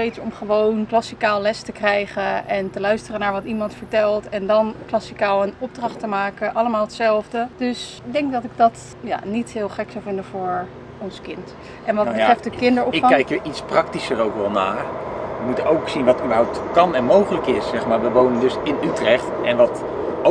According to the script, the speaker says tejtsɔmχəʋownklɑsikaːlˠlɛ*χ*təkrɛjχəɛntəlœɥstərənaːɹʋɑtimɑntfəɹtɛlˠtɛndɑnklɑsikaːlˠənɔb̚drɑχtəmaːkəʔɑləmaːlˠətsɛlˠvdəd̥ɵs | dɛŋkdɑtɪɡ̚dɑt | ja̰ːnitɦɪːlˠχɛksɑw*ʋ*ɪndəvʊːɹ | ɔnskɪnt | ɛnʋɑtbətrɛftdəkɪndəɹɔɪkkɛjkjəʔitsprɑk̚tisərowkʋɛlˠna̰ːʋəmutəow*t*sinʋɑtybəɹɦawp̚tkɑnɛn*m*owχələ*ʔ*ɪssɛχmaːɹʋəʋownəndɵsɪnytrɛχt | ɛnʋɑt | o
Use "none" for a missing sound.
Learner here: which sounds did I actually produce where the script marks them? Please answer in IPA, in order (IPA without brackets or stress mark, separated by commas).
s, v, k, m, k